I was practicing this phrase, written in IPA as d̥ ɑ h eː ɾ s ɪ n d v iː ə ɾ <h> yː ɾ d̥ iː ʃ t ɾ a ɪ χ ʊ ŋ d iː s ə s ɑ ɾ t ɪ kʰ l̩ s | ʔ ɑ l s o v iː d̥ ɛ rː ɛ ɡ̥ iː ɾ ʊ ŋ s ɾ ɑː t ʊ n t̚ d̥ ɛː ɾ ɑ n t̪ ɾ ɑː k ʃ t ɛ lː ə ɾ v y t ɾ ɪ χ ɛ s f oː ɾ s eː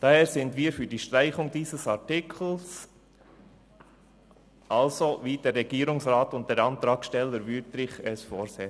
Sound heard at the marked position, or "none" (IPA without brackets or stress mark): f